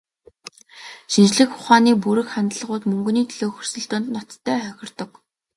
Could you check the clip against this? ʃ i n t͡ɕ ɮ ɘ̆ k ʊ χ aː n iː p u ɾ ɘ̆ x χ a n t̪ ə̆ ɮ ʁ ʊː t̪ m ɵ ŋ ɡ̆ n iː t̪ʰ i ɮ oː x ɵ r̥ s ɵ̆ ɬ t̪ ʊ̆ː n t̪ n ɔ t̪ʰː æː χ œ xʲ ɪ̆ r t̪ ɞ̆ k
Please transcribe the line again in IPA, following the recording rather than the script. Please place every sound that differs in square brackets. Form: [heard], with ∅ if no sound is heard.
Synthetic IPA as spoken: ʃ i n t͡ɕ ɮ ɘ̆ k ʊ χ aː n iː p u ɾ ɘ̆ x χ a n t̪ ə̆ ɮ ʁ ʊː t̪ m ɵ ŋ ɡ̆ n iː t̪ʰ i ɮ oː x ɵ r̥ s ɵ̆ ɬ t̪ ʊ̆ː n t̪ n ɔ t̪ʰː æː χ œ xʲ ɪ̆ r t̪ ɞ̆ k